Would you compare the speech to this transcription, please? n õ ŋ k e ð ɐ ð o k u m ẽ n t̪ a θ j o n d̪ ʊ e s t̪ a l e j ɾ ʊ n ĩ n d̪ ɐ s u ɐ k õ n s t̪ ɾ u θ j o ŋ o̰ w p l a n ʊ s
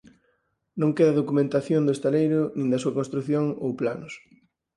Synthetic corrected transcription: n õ ŋ k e ð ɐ ð o k u m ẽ n t̪ a θ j o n d̪ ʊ e s t̪ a l e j ɾ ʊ n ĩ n d̪ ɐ s u ɐ k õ n s t̪ ɾ u θ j o ŋ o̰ w p l a n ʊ s